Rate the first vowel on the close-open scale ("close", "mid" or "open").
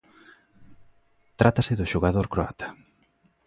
open